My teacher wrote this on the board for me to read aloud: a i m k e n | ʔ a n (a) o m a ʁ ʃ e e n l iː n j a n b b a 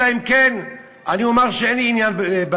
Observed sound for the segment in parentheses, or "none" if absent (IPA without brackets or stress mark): i